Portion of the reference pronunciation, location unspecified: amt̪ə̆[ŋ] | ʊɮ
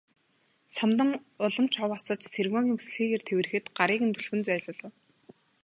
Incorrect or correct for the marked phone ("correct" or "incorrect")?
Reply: correct